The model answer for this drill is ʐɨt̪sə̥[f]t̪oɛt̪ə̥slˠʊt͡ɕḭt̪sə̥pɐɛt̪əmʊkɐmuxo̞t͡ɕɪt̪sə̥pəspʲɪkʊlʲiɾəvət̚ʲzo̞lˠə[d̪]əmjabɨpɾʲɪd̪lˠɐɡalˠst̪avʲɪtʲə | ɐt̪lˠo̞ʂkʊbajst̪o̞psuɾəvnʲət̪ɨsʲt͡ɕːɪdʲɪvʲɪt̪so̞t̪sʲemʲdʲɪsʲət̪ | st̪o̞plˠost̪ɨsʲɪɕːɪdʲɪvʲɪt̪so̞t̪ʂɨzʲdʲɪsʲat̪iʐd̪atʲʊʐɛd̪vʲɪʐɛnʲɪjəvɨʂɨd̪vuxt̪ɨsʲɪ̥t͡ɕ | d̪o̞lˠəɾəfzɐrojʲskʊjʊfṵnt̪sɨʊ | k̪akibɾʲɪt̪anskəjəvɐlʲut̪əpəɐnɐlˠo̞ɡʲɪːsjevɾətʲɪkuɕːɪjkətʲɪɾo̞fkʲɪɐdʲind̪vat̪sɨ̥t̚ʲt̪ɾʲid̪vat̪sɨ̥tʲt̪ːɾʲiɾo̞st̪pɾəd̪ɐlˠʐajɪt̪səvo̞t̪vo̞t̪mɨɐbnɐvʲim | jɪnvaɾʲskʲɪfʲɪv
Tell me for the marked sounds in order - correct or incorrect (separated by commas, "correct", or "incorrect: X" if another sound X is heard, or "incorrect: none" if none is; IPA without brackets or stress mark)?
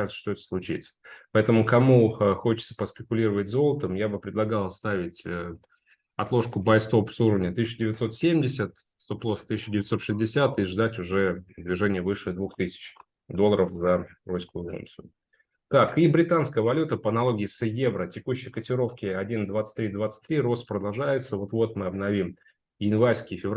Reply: incorrect: ʂ, incorrect: t̪